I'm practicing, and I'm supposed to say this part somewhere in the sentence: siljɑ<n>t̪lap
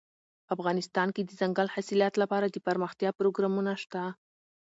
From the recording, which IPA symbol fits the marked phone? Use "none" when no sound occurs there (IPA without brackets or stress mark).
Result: none